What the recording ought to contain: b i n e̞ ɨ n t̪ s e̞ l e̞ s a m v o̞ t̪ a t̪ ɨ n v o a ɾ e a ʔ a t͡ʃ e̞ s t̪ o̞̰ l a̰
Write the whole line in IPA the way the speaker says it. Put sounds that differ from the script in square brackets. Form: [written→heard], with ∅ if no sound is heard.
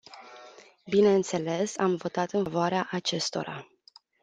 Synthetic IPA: b i n e̞ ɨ n t̪ s e̞ l e̞ s a m v o̞ t̪ a t̪ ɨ n v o a ɾ e a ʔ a t͡ʃ e̞ s t̪ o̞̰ [l→ɾ] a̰